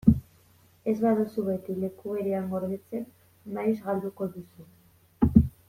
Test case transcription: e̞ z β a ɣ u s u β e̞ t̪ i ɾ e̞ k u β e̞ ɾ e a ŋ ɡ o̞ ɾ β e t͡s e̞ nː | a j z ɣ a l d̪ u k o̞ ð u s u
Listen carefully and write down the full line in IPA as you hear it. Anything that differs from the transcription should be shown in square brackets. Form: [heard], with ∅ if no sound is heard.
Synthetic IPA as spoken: e̞ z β a [ð] u s u β e̞ t̪ i [l] e̞ k u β e̞ ɾ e a ŋ ɡ o̞ ɾ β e t͡s e̞ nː | a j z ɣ a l d̪ u k o̞ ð u s u